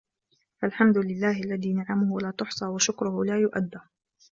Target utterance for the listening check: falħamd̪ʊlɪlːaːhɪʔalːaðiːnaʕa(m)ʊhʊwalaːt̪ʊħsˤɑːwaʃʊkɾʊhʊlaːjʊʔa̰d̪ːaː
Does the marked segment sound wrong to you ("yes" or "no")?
no